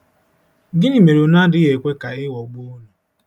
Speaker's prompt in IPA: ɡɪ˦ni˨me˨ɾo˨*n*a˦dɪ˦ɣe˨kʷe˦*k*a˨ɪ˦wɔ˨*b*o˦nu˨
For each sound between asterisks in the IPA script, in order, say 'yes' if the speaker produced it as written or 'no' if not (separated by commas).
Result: yes, yes, no